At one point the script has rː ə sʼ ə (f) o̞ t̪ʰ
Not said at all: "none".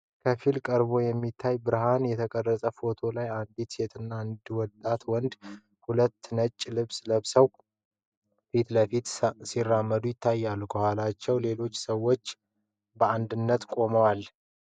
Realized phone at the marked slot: f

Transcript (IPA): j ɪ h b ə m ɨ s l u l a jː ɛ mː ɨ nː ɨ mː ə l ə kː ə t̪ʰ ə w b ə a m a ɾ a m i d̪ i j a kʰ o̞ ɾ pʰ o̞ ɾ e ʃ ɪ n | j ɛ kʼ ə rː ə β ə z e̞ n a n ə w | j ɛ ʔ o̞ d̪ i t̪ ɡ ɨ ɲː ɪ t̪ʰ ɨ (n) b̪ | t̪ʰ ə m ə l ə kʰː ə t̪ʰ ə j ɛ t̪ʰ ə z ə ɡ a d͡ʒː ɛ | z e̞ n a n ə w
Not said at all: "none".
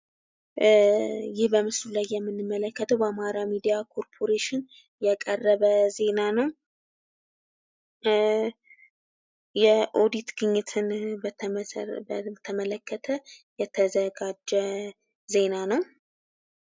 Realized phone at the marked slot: n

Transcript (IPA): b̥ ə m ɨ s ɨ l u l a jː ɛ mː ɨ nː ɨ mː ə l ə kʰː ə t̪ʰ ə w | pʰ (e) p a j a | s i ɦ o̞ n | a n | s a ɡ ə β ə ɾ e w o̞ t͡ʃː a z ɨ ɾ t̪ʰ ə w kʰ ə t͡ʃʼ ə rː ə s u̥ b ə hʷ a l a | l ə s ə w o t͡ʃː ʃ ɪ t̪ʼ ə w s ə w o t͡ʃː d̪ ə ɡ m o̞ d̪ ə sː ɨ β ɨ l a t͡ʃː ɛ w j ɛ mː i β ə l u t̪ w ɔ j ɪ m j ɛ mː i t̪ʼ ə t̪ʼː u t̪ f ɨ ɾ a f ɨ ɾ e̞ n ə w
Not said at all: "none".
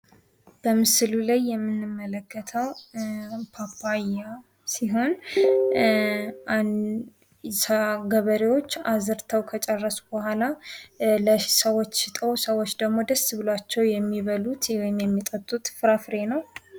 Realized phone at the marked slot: a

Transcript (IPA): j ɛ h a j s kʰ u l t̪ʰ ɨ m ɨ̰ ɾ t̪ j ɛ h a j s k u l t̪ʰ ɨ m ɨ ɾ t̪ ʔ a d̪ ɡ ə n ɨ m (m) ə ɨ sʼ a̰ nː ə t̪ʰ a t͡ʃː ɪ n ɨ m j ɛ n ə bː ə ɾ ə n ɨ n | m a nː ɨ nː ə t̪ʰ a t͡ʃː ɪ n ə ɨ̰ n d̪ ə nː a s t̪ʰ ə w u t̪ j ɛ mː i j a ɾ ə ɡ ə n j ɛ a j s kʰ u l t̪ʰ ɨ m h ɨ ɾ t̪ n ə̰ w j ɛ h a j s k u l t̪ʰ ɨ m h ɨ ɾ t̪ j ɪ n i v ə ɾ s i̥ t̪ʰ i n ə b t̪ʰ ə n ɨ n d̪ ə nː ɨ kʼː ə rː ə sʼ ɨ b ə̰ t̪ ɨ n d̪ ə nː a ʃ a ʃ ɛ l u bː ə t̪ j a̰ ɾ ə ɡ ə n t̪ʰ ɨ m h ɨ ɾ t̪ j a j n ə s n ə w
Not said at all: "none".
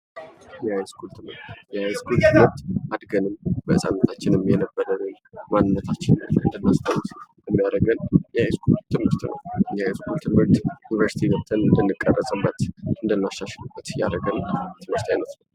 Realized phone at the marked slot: b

